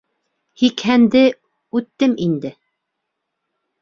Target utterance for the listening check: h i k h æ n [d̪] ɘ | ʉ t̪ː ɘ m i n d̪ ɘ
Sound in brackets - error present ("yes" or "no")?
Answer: no